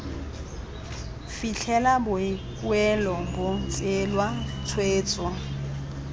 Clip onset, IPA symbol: f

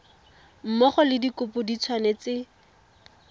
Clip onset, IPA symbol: m̩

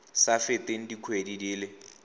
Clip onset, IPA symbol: s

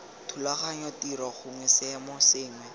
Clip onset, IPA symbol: tʰ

